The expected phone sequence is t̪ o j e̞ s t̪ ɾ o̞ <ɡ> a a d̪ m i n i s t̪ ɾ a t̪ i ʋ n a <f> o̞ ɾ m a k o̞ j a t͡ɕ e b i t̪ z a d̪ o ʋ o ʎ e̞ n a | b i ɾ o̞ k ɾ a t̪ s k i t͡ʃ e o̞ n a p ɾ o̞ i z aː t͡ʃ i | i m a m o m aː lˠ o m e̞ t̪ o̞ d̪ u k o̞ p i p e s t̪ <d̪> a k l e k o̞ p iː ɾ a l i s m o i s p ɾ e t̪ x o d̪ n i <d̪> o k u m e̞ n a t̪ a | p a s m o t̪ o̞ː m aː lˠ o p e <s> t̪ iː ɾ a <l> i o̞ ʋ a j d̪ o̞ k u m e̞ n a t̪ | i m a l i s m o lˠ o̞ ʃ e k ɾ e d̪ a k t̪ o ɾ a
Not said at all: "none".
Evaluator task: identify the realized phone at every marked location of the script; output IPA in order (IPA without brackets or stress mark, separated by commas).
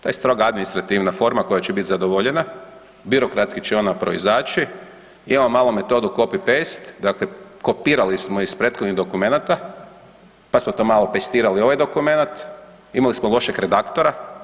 ɡ, f, d̪, d̪, s, l